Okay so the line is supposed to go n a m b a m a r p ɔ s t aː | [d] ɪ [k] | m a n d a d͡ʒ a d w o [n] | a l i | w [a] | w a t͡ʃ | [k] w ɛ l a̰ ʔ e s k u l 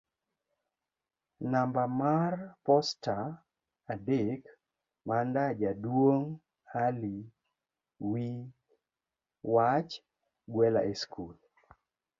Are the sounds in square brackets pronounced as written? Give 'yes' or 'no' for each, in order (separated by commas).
yes, yes, no, no, no